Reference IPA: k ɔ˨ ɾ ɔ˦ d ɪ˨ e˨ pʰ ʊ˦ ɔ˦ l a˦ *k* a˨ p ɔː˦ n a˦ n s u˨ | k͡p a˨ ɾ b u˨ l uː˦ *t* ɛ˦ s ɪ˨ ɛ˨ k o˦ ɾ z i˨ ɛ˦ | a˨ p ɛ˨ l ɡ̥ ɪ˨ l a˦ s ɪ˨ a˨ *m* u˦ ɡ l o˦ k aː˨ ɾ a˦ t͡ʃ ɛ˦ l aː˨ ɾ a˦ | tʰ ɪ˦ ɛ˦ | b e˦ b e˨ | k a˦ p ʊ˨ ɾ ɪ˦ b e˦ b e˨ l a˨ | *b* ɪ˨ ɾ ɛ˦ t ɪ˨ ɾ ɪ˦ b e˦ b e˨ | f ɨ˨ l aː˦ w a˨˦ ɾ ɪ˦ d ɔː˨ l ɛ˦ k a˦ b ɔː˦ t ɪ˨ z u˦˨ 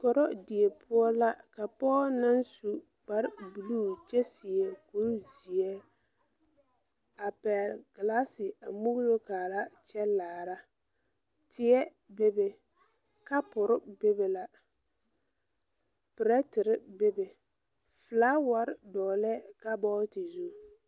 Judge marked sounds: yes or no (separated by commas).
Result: yes, no, yes, no